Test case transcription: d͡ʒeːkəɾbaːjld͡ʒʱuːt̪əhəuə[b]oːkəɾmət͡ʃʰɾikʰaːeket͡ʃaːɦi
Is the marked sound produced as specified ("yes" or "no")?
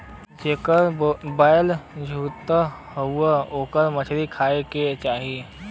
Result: no